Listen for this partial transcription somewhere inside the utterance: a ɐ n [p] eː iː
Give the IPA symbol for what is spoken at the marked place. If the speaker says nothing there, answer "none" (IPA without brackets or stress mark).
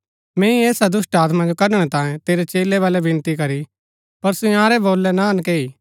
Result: k